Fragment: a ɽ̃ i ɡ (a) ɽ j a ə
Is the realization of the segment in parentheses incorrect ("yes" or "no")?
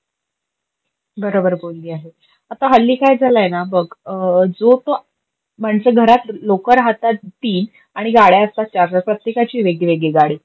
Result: no